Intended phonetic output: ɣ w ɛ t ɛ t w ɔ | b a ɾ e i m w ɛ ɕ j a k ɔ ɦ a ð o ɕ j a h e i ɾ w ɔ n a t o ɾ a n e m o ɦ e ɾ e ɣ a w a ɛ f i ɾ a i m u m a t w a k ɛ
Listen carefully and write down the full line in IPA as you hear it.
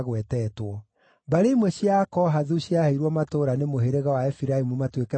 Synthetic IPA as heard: ɣ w ɛ t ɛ t w ɔ | b a ɾ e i m w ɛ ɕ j a k ɔ ɦ a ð u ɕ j a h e i ɾ w ɔ m a t o ɾ a n e m o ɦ e ɾ e ɣ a w a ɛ f i ɾ a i m u m a t w e k ɛ